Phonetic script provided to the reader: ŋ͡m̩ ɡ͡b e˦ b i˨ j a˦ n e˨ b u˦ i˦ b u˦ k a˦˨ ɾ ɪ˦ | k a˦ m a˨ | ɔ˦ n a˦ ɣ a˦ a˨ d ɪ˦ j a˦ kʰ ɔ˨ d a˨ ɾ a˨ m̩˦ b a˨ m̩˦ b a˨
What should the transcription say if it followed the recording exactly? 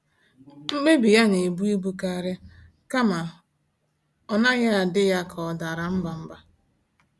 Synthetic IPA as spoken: ŋ͡m̩ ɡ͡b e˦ b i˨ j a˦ n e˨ b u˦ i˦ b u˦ k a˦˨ ɾ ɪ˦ | k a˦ m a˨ | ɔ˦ n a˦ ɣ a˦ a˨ d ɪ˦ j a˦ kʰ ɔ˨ d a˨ ɾ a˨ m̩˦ b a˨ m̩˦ b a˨

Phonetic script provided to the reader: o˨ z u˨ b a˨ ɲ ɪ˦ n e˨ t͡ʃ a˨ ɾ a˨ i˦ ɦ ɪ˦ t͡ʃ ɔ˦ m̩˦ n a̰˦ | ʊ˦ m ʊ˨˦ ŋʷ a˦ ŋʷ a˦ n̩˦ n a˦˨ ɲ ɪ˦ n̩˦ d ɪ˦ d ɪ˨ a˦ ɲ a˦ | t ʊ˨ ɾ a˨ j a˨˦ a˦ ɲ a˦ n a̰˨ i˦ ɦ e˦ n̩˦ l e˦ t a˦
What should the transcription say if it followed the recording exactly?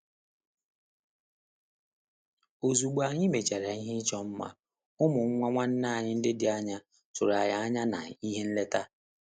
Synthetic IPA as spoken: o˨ z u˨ ɡ͡b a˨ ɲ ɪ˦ m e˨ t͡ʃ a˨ ɾ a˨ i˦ ɦ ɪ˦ t͡ʃ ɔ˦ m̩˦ m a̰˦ | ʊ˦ m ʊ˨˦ ŋʷ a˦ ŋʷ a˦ n̩˦ n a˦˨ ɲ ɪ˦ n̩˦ d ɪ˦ d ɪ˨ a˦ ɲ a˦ | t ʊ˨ ɾ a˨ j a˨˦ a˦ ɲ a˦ n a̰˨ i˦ ɦ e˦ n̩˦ l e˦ t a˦

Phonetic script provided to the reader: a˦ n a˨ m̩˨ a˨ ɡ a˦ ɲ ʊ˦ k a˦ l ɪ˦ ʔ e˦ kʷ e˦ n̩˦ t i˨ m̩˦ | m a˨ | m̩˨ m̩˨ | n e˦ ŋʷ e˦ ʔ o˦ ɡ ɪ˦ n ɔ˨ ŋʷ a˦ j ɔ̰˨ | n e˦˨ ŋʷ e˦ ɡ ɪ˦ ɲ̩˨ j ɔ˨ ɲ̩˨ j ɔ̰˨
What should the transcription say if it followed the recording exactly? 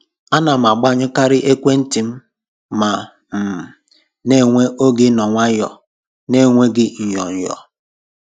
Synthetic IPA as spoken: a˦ n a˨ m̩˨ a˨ ɡ͡b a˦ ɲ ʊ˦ k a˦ ɾ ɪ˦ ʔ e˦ kʷ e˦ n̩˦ t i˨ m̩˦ | m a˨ | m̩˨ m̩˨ | n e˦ ŋʷ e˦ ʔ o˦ ɡ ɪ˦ n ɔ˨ ŋʷ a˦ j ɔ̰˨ | n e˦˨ ŋʷ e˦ ɡ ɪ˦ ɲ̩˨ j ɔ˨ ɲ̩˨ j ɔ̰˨

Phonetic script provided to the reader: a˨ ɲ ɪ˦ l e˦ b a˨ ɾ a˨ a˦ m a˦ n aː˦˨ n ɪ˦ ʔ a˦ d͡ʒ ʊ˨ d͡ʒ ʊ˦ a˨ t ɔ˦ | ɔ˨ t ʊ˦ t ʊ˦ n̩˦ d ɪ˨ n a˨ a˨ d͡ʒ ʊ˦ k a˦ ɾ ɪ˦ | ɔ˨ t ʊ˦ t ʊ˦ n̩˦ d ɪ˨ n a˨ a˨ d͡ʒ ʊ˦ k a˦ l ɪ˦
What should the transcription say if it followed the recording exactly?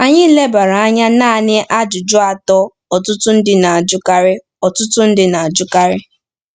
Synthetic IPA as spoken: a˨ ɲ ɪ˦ l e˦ b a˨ ɾ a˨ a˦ ɲ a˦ n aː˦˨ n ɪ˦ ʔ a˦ d͡ʒ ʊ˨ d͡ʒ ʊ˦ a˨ t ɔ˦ | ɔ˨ t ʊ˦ t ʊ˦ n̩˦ d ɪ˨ n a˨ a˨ d͡ʒ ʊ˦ k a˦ ɾ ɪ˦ | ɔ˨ t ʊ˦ t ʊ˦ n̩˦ d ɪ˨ n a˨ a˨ d͡ʒ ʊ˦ k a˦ ɾ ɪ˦

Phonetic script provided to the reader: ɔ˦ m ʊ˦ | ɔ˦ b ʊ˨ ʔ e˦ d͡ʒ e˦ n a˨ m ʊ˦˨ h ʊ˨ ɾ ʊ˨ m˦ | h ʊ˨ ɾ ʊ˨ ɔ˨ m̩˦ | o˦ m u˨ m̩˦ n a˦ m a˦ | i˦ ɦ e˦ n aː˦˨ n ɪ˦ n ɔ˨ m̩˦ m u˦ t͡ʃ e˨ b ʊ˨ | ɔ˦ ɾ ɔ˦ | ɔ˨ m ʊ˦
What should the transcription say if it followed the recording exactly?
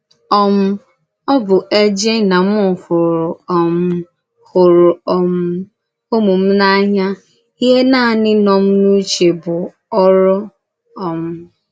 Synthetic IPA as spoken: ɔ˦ m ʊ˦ | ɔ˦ b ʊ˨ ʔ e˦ d͡ʒ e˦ n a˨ m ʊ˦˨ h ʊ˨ ɾ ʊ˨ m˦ | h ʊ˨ ɾ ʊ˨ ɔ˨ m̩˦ | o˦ m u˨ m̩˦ n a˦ ɲ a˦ | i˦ ɦ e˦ n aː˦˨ n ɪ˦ n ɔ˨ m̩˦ n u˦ t͡ʃ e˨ b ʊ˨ | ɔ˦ ɾ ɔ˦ | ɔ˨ m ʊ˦

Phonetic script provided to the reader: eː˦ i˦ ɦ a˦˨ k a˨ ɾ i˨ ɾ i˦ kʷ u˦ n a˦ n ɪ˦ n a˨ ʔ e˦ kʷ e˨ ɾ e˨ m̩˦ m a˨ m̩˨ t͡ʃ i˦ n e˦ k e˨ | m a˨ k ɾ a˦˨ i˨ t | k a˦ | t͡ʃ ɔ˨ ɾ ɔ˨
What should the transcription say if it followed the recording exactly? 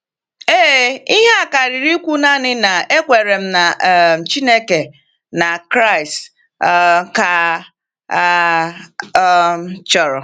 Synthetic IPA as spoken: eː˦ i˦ ɦ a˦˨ k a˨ ɾ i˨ ɾ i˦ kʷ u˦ n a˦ n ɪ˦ n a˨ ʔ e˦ kʷ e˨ ɾ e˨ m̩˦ n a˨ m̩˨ t͡ʃ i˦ n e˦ k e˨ | n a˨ k ɾ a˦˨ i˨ s | k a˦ | t͡ʃ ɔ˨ ɾ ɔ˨

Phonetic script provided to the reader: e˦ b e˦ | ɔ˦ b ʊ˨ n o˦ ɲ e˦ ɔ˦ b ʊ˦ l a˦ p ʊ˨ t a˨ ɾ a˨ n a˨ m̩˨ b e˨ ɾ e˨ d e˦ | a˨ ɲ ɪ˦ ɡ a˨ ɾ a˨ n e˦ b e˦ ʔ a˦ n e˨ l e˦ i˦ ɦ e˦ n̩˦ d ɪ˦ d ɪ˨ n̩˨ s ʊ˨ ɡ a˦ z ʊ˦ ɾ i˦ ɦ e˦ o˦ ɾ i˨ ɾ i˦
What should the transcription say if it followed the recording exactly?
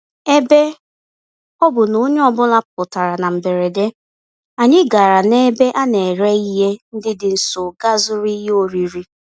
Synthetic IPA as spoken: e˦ b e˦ | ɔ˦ b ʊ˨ n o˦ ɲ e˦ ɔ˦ b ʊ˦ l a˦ p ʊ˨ t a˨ ɾ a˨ n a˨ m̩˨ b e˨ ɾ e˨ d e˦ | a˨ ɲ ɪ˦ ɡ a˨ ɾ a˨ n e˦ b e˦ ʔ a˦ n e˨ ɾ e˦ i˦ ɦ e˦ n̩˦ d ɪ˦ d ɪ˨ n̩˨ s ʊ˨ ɡ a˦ z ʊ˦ ɾ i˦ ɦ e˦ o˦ ɾ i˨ ɾ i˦

